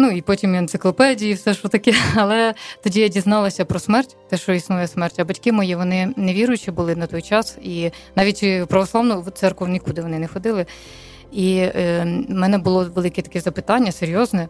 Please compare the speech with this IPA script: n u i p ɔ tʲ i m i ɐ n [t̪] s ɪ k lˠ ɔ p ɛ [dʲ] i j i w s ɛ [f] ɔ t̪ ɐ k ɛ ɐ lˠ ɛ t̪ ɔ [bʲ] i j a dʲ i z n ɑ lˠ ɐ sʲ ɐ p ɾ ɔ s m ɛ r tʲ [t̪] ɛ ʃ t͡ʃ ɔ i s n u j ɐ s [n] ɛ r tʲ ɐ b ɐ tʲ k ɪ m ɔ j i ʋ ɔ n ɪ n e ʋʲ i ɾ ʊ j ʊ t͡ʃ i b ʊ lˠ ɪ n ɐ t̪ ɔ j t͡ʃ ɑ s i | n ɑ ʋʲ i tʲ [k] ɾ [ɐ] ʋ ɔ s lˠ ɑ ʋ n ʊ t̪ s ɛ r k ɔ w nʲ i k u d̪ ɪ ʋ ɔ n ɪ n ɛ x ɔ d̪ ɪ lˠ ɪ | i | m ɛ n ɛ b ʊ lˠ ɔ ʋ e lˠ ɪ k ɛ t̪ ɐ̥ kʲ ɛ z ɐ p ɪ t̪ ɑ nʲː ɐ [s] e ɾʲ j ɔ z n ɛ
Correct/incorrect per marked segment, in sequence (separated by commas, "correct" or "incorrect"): correct, correct, incorrect, incorrect, correct, incorrect, incorrect, correct, correct